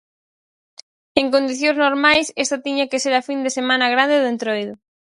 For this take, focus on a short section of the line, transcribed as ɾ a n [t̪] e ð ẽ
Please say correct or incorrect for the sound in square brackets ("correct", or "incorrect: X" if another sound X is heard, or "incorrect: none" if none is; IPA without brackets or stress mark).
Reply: incorrect: d̪